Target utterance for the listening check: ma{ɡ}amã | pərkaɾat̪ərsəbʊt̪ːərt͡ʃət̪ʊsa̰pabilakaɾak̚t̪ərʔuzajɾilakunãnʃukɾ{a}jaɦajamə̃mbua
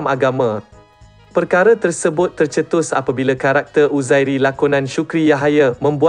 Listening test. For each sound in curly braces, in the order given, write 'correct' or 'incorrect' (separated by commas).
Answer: correct, incorrect